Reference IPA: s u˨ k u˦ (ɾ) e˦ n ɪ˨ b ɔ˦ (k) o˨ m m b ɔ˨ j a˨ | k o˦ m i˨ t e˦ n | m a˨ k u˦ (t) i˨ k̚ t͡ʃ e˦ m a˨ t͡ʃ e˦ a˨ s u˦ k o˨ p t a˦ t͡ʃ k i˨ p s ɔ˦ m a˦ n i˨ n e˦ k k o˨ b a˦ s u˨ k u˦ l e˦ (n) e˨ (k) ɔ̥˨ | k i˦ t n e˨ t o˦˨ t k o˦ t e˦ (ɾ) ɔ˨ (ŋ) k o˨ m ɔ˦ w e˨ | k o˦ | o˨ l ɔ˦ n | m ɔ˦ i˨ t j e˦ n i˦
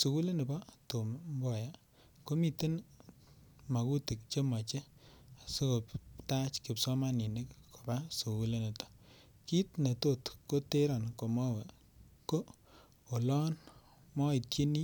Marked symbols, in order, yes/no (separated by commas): no, no, yes, yes, no, yes, no